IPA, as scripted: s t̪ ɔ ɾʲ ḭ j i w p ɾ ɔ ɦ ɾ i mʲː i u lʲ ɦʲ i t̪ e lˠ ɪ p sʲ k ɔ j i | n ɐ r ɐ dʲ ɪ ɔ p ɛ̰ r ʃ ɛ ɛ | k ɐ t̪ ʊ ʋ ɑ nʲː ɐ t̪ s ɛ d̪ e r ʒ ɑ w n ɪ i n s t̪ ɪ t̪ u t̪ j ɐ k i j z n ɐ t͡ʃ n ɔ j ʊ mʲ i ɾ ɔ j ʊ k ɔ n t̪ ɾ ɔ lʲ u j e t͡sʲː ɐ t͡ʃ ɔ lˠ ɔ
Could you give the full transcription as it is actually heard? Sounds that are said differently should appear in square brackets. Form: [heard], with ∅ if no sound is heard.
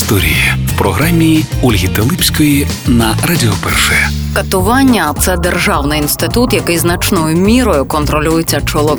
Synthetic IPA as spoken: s t̪ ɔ ɾʲ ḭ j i w p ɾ ɔ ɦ ɾ [a] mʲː i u lʲ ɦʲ i t̪ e lˠ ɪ p sʲ k ɔ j i | n ɐ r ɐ dʲ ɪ ɔ p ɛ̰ r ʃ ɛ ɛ | k ɐ t̪ ʊ ʋ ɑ nʲː ɐ t̪ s ɛ d̪ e r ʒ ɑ w n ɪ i n s t̪ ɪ t̪ u t̪ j ɐ k [ɪ] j z n ɐ t͡ʃ n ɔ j ʊ mʲ i ɾ ɔ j ʊ k ɔ n t̪ ɾ ɔ lʲ u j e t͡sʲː ɐ t͡ʃ ɔ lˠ ɔ